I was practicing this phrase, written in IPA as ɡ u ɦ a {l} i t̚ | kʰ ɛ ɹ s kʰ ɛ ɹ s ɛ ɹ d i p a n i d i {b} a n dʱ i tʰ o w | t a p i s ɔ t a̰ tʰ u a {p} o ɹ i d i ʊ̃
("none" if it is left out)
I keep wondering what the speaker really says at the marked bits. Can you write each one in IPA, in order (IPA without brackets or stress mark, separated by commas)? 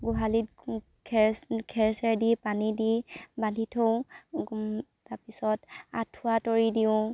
l, b, t